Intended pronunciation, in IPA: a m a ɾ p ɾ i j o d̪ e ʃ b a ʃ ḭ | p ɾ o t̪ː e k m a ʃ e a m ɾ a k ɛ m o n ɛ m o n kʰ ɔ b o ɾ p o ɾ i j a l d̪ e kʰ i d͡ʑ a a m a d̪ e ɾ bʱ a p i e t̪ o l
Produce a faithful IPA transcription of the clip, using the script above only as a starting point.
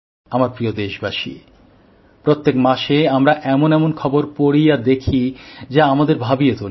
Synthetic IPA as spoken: a m a ɾ p ɾ i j o d̪ e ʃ b a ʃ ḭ | p ɾ o t̪ː e k m a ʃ e a m ɾ a ʔ ɛ m o n ɛ m o n kʰ ɔ b o ɾ p o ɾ i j a d̪ e kʰ i d͡ʑ a a m a d̪ e ɾ bʱ a b i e t̪ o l